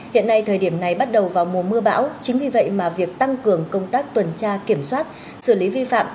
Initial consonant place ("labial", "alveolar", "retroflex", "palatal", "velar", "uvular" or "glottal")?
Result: glottal